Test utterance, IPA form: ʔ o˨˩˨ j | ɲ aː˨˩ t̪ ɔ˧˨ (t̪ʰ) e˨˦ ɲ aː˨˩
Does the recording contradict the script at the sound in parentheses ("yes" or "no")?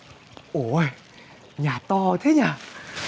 no